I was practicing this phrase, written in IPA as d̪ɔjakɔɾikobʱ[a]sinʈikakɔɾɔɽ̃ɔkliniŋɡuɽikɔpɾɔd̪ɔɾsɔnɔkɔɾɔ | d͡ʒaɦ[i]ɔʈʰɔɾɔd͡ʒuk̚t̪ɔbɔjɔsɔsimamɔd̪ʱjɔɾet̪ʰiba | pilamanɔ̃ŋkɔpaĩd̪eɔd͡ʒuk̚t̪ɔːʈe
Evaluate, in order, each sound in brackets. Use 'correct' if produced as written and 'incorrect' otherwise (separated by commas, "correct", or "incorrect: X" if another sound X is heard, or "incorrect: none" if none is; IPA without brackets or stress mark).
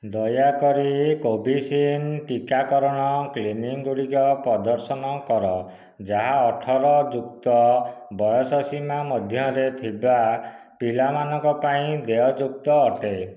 incorrect: i, incorrect: a